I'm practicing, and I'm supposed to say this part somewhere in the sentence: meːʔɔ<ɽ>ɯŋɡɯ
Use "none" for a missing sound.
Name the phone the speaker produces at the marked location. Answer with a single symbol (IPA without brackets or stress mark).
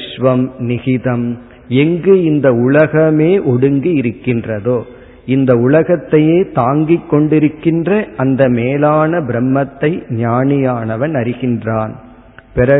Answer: ɽ